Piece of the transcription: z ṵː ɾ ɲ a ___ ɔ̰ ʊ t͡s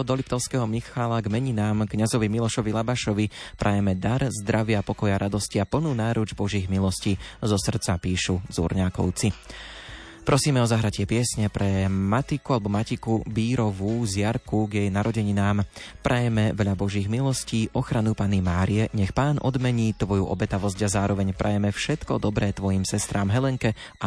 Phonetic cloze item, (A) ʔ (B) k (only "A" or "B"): B